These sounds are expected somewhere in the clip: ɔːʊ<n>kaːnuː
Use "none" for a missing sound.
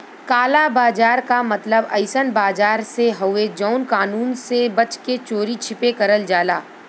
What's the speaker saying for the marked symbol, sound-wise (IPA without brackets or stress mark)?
n